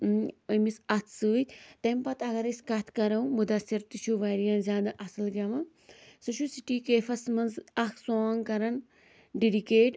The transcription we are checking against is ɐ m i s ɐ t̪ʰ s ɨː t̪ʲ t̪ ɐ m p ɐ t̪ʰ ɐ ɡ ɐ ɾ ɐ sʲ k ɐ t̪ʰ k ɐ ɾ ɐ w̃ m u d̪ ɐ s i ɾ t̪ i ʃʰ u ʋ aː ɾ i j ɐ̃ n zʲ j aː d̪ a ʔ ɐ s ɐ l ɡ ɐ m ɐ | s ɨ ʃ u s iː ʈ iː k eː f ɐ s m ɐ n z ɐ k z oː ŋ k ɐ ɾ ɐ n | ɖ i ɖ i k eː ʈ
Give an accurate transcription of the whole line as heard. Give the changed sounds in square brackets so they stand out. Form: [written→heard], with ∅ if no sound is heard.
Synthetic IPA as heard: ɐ m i s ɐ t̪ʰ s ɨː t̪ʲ t̪ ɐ m p ɐ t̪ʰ ɐ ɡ ɐ ɾ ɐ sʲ k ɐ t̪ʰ k ɐ ɾ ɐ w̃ m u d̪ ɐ s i ɾ t̪ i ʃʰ u ʋ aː ɾ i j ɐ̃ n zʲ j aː d̪ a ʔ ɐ s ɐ l ɡ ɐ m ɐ | s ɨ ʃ u s [iː→i] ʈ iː k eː f ɐ s m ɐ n z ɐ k [z→s] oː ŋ k ɐ ɾ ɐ n | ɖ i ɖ i k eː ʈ